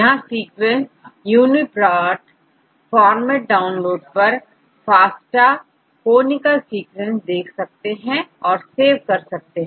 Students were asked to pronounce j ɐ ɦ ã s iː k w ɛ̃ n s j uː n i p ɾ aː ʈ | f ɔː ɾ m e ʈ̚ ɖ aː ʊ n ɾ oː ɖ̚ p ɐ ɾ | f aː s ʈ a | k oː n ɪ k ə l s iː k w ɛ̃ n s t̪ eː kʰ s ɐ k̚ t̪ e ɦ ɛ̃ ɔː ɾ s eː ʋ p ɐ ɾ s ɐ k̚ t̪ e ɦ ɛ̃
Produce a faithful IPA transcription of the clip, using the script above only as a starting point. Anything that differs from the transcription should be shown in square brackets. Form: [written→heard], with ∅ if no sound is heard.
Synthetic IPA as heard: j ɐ ɦ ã s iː k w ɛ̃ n s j uː n i p ɾ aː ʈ | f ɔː ɾ m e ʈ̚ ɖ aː ʊ n [ɾ→l] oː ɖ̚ p ɐ ɾ | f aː s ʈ a | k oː n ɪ k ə l s iː k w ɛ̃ n s [t̪→d̪] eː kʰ s ɐ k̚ t̪ e ɦ ɛ̃ ɔː ɾ s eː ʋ [p→k] ɐ ɾ s ɐ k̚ t̪ e ɦ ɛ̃